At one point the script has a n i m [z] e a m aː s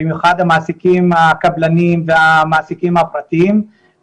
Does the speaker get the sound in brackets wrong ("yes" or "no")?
yes